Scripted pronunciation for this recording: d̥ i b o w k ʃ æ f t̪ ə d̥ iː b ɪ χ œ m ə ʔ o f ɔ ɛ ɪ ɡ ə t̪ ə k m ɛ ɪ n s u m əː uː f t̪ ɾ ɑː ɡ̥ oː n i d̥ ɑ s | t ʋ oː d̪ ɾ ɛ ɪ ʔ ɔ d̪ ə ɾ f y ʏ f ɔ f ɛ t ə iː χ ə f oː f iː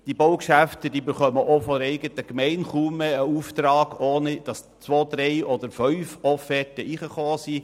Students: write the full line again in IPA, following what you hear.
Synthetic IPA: d̥ i b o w k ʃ æ f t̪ ə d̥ iː b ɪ χ œ m ə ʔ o f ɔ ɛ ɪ ɡ ə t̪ ə k m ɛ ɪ n χ u m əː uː f t̪ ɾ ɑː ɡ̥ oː n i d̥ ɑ s | t͡s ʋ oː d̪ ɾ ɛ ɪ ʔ ɔ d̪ ə ɾ f œ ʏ f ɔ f ɛ t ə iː χ ə χ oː s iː